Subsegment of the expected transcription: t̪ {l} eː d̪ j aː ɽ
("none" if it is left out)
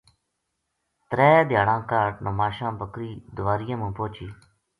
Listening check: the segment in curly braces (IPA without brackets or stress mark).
ɾ